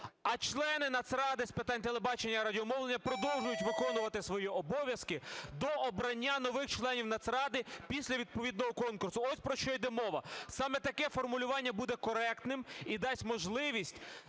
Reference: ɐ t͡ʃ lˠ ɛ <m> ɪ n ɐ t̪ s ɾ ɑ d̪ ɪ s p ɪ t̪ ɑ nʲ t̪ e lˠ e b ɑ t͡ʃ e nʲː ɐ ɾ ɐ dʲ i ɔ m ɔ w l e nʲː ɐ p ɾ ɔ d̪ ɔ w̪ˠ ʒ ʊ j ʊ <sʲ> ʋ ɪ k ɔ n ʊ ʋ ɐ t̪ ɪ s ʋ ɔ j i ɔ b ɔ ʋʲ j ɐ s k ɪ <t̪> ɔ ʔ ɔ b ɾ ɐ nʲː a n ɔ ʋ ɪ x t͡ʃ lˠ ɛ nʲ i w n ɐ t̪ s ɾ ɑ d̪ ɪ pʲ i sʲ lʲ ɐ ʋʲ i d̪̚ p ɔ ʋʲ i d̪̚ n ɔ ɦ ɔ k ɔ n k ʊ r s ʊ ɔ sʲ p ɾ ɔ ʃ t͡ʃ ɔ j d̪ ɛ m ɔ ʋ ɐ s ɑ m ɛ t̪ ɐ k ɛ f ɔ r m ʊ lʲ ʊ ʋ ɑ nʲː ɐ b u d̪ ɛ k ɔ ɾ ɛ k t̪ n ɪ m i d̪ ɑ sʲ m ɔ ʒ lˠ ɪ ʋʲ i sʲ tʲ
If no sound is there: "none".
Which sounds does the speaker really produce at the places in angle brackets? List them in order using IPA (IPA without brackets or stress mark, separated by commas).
n, tʲ, d̪